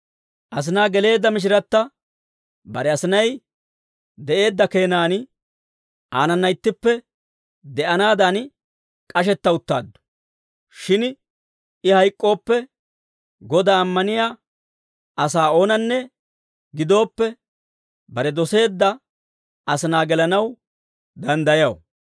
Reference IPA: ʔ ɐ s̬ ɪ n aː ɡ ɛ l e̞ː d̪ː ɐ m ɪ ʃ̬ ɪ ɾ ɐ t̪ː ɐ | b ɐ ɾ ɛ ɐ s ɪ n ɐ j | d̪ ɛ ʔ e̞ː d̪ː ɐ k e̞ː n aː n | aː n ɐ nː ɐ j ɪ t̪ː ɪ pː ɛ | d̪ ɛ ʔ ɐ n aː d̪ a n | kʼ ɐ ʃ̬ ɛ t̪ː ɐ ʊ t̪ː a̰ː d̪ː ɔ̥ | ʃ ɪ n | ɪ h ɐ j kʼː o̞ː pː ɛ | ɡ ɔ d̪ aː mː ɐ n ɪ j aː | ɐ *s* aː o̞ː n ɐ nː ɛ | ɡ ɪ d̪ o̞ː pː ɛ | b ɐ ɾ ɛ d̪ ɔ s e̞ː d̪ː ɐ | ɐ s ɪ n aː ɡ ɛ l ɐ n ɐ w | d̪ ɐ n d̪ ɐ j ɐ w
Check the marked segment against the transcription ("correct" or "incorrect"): correct